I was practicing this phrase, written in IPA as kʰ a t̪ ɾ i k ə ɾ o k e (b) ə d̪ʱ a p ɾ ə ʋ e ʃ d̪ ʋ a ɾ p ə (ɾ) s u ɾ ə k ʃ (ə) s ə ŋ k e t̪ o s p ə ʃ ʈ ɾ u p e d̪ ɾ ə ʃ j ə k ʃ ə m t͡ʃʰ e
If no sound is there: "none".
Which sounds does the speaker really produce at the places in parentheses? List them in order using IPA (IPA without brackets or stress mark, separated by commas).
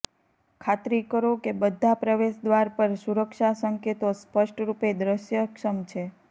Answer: b, ɾ, a